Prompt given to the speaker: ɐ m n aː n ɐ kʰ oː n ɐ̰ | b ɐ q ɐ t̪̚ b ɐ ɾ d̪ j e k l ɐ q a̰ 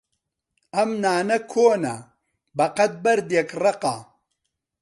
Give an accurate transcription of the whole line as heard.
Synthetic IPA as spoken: ɐ m n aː n ɐ kʰ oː n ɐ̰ | b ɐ q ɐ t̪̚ b ɐ ɾ d̪ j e k r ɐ q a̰